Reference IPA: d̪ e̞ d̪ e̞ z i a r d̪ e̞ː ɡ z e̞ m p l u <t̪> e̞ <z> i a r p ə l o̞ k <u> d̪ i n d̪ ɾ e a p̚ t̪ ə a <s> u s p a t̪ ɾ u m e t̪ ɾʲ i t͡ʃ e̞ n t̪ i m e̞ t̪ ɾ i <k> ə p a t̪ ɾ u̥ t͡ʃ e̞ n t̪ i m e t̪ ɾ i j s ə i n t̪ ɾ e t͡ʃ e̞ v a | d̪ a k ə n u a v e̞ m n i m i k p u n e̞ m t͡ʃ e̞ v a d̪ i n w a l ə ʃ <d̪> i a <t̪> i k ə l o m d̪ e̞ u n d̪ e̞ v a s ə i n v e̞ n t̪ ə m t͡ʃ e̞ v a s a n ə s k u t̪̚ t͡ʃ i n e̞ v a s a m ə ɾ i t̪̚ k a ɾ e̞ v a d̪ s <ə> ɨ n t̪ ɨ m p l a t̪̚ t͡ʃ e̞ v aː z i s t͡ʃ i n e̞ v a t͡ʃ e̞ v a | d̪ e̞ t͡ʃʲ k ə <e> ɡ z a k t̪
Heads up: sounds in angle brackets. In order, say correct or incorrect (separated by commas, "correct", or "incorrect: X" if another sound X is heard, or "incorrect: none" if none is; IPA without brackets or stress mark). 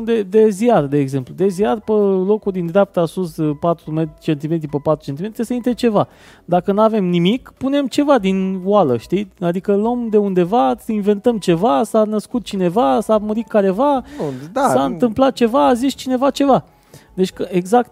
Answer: incorrect: d̪, correct, correct, correct, incorrect: p, incorrect: t̪, incorrect: d̪, incorrect: a, correct